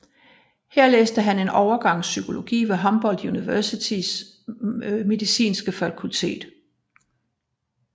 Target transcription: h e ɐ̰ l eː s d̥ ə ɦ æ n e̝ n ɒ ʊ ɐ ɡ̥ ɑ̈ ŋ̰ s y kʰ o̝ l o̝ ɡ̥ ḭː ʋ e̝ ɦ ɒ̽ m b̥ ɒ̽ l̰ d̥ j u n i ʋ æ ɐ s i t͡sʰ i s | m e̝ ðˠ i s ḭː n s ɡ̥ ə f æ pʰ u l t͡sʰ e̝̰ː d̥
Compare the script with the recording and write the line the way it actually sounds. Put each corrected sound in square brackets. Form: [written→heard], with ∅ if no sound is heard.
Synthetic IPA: h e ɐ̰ l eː s d̥ ə ɦ æ n e̝ n ɒ ʊ ɐ ɡ̥ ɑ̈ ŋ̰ s y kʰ o̝ l o̝ ɡ̥ ḭː ʋ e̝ ɦ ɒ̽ m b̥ ɒ̽ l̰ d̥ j u n i ʋ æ ɐ s i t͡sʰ i s | m e̝ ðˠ i s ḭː n s ɡ̥ ə f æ [pʰ→kʰ] u l t͡sʰ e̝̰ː d̥